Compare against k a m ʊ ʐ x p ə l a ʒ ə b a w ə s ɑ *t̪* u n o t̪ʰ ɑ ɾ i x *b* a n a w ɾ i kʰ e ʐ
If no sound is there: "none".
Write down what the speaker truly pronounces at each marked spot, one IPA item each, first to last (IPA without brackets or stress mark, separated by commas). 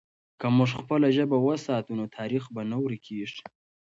t̪, b